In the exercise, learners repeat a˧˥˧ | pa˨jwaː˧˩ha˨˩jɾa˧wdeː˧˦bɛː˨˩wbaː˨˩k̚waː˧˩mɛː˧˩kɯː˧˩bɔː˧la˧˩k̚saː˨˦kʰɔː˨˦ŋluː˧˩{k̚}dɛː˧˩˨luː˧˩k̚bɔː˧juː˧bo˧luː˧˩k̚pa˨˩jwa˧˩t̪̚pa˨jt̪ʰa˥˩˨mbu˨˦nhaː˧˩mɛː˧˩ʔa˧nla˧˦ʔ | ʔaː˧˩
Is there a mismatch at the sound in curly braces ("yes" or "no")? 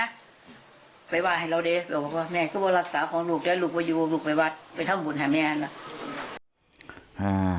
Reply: no